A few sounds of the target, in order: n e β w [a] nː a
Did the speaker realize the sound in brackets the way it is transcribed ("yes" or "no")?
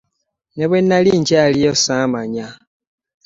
no